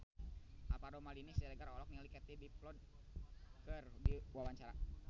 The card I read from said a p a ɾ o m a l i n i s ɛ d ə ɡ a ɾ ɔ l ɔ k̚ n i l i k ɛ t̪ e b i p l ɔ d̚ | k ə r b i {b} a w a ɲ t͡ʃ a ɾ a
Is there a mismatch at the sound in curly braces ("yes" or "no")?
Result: yes